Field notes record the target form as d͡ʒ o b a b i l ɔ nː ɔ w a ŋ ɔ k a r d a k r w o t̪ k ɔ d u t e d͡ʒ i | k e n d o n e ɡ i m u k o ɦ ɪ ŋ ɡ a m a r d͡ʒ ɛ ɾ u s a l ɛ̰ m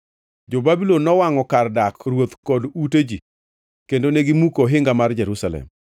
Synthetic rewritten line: d͡ʒ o b a b i l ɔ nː ɔ w a ŋ ɔ k a r d a k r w o t̪ k ɔ d u t e d͡ʒ i | k e n d o n e ɡ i m u k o ɦ ɪ ŋ ɡ a m a r d͡ʒ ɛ ɾ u s a l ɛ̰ m